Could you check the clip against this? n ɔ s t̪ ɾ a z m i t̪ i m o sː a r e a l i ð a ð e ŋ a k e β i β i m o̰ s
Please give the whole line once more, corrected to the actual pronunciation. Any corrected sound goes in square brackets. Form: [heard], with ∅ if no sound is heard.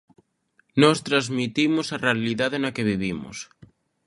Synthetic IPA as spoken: n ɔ s t̪ ɾ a z m i t̪ i m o [s] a r e a l i ð a ð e [n] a k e β i β i m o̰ s